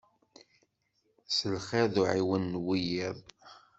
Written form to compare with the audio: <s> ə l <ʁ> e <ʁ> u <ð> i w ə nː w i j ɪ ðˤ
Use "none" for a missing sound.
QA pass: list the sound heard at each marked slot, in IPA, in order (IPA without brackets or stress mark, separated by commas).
s, χ, ð, ʕ